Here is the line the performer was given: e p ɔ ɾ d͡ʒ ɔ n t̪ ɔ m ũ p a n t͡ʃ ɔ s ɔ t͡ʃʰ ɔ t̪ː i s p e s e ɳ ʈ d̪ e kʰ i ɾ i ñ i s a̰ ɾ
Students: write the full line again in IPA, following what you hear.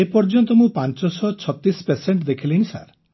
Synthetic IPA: e p ɔ ɾ d͡ʒ ɔ n t̪ ɔ m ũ p a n t͡ʃ ɔ s ɔ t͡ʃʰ ɔ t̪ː i s p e s e ɳ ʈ d̪ e kʰ i l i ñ i s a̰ ɾ